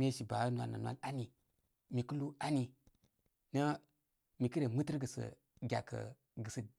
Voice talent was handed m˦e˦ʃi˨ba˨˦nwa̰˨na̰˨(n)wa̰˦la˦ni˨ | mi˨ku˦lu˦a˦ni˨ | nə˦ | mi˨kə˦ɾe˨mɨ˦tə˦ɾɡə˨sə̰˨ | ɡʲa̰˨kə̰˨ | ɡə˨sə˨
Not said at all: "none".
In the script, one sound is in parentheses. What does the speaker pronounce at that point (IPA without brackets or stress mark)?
n